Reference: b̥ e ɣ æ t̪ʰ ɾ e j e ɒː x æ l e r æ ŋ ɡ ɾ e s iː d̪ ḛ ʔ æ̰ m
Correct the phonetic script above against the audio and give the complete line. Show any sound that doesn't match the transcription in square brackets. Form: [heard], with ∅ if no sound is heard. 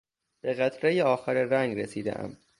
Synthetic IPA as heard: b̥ e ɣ æ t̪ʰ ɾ e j e ɒː x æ [ɾ] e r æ ŋ ɡ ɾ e s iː d̪ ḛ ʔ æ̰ m